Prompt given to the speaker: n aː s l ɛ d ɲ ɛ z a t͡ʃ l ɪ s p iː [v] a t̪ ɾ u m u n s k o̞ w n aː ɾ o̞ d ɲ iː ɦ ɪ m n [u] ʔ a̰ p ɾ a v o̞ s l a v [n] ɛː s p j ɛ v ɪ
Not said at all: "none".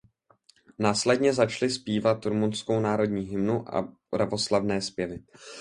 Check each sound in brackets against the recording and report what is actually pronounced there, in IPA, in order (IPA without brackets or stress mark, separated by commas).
v, u, n